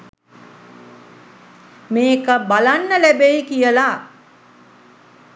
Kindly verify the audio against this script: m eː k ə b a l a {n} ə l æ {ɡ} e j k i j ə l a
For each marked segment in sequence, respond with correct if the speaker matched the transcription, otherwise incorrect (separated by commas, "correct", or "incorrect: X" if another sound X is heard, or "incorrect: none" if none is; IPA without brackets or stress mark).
incorrect: nː, incorrect: b